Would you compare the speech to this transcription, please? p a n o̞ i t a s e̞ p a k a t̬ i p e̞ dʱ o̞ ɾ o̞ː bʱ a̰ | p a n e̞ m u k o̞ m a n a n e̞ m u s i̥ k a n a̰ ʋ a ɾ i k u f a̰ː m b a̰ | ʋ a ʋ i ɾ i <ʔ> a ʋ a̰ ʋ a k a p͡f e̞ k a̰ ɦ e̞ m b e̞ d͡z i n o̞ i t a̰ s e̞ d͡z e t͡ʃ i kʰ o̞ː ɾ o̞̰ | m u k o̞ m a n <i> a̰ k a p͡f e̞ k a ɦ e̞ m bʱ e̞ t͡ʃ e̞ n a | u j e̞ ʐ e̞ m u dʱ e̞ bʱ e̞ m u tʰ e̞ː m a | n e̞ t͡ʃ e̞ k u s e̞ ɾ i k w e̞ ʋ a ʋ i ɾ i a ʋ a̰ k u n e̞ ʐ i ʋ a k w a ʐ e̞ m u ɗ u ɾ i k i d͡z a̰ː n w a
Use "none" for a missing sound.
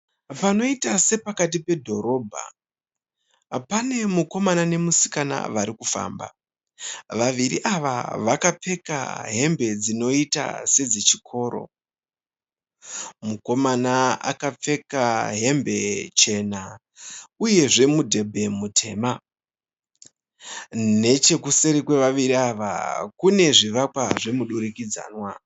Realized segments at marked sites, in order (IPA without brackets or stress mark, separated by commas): ʔ, a